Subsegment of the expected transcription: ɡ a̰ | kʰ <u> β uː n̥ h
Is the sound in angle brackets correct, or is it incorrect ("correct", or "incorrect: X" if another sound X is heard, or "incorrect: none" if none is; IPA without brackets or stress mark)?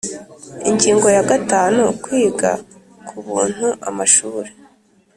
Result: correct